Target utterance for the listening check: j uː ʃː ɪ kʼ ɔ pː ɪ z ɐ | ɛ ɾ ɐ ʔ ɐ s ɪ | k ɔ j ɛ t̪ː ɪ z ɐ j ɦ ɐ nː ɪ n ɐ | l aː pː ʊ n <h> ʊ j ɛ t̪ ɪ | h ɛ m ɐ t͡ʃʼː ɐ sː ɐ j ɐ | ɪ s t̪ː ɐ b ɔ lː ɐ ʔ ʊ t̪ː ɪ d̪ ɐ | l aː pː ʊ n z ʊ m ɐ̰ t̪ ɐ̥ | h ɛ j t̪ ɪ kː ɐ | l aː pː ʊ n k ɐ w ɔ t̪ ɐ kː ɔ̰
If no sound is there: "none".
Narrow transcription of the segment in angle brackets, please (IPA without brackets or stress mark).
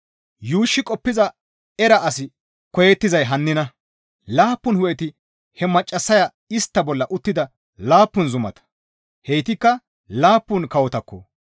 h